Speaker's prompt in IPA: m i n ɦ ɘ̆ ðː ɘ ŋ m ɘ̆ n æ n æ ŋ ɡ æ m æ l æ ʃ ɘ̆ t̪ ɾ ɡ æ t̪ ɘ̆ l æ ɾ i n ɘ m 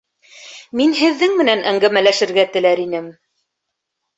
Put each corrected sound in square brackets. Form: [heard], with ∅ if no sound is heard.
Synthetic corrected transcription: m i n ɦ ɘ̆ ðː ɘ ŋ m ɘ̆ n æ n æ ŋ ɡ æ m æ l æ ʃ ɘ̆ [∅] ɾ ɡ æ t̪ ɘ̆ l æ ɾ i n ɘ m